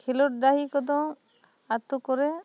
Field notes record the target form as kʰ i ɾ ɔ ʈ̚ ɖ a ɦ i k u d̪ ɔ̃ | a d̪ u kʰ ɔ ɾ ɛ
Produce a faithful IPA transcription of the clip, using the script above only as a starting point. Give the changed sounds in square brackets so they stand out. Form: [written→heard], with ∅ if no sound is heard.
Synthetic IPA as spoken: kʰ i [ɾ→l] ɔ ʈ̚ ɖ a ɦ i k [u→ɔ] d̪ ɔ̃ | a [d̪→t̪] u [kʰ→k] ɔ ɾ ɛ